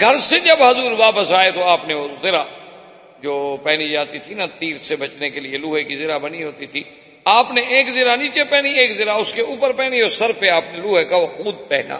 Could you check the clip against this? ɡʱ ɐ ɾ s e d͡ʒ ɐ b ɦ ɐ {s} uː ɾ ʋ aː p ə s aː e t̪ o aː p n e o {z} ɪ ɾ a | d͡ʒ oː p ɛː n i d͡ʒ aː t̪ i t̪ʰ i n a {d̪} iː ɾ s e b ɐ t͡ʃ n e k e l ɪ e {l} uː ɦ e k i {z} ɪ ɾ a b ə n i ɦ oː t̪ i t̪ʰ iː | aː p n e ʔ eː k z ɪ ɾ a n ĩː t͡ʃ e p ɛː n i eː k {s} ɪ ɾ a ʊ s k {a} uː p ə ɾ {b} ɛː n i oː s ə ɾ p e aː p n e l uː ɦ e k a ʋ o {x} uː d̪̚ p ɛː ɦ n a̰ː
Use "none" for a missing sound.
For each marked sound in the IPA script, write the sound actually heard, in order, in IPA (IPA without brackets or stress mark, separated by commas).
z, z, t̪, l, z, z, e, p, x